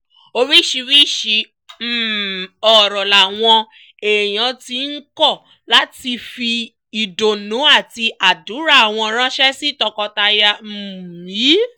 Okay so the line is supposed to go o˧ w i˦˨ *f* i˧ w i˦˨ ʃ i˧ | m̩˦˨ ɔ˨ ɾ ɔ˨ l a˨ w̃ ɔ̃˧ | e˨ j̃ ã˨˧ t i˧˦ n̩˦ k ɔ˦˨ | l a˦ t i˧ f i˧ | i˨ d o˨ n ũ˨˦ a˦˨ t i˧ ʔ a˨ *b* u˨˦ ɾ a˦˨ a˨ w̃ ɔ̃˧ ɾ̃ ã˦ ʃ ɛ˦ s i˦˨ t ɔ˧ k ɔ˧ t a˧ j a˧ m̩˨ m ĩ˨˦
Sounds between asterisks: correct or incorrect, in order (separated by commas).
incorrect, incorrect